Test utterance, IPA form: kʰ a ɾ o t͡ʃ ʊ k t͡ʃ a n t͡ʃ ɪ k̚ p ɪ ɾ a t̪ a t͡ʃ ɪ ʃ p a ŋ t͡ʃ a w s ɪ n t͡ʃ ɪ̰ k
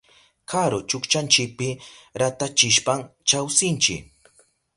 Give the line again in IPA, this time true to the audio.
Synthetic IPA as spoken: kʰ a ɾ o t͡ʃ ʊ k t͡ʃ a n t͡ʃ ɪ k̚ p ɪ ɾ a t̪ a t͡ʃ ɪ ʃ p a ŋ t͡ʃ a w s ɪ n t͡ʃ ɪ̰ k